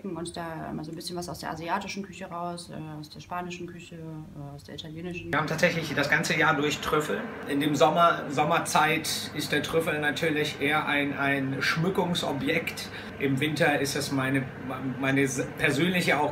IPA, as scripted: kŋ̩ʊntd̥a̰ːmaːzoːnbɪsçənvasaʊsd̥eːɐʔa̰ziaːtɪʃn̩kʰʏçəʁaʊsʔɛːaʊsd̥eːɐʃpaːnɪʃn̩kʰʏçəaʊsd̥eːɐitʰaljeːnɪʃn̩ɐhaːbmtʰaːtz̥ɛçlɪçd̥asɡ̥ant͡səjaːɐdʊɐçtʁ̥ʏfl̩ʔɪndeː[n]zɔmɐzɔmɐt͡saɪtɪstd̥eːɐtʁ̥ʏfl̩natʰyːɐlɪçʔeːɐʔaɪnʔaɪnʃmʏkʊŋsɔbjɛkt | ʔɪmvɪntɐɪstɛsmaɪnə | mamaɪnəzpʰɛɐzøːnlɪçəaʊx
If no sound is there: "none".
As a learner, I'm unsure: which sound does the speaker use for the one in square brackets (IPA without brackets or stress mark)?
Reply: m